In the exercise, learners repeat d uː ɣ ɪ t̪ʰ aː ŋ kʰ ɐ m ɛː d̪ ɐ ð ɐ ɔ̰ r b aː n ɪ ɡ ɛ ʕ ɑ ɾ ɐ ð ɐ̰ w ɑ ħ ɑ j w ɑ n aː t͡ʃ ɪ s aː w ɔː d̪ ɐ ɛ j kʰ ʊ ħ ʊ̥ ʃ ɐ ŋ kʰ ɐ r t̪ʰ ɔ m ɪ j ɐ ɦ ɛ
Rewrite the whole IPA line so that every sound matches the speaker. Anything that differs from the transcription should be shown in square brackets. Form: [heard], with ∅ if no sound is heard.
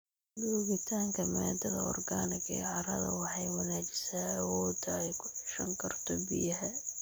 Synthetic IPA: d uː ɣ ɪ t̪ʰ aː ŋ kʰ ɐ m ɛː d̪ ɐ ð ɐ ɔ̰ r [ɡ] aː n ɪ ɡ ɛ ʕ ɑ ɾ ɐ ð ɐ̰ w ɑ ħ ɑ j w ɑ n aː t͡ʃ ɪ s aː w ɔː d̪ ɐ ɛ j kʰ ʊ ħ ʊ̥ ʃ ɐ ŋ kʰ ɐ r t̪ʰ ɔ [b] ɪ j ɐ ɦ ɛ

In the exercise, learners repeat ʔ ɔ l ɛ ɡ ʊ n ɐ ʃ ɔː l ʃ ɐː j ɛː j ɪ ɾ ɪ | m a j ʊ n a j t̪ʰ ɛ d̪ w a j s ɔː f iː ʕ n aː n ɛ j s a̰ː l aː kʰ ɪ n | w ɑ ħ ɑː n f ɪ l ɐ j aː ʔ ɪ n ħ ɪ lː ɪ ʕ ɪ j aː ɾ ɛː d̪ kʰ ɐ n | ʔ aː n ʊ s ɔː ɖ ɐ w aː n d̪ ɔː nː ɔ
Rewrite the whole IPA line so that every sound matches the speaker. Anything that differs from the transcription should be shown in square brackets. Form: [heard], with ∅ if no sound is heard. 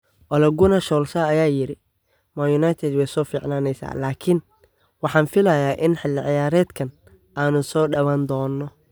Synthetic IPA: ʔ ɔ l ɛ ɡ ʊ n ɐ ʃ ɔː l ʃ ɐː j [aː] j ɪ ɾ ɪ | m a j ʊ n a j t̪ʰ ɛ d̪ w [ɛ] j s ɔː f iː ʕ n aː n ɛ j s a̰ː l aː kʰ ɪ n | w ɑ ħ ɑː n f ɪ l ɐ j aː ʔ ɪ n ħ ɪ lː ɪ ʕ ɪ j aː ɾ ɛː d̪ kʰ ɐ n | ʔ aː n ʊ s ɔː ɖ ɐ w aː n d̪ ɔː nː ɔ

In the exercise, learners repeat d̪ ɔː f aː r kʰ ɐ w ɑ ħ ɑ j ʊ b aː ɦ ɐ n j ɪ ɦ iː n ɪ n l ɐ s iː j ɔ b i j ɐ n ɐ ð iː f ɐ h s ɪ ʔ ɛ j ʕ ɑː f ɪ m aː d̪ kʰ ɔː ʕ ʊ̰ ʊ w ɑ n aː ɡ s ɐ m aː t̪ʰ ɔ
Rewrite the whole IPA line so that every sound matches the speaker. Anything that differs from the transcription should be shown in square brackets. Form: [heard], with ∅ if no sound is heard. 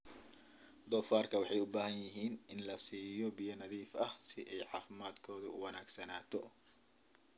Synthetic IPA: d̪ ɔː f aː r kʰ ɐ w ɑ ħ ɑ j ʊ b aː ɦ ɐ n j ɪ ɦ iː n ɪ n l ɐ s iː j ɔ b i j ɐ n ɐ ð iː f ɐ h s ɪ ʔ ɛ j ʕ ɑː f ɪ m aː d̪ kʰ ɔː [ð] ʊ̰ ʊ w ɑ n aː ɡ s ɐ [n] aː t̪ʰ ɔ

